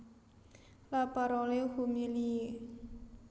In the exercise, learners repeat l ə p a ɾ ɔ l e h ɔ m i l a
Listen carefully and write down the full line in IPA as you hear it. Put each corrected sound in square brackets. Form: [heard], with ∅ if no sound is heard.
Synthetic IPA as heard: l [a] p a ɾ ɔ l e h [u] m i l [i]